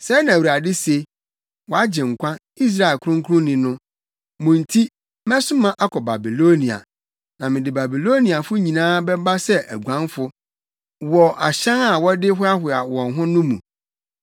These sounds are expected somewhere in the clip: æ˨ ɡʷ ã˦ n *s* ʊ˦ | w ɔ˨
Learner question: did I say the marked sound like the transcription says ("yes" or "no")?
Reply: no